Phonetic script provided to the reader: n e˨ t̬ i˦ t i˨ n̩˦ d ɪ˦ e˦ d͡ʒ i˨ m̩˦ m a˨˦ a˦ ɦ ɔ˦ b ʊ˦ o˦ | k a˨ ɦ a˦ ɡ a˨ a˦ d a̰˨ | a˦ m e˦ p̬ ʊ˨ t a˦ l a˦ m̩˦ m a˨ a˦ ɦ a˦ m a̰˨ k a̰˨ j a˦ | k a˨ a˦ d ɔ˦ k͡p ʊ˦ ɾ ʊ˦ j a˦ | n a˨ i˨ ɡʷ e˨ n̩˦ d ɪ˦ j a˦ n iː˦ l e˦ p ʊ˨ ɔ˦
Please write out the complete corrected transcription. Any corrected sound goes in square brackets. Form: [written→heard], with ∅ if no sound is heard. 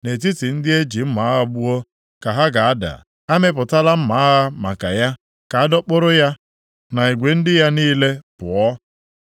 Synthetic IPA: n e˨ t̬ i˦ t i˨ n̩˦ d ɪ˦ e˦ d͡ʒ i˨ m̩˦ m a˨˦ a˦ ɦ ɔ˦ b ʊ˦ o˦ | k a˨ ɦ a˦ ɡ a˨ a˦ d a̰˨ | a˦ m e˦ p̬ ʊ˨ t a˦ l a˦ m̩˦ m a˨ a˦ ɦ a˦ m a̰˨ k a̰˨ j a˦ | k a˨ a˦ d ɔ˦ k͡p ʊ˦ ɾ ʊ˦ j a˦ | n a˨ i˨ ɡʷ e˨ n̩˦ d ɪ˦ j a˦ n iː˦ l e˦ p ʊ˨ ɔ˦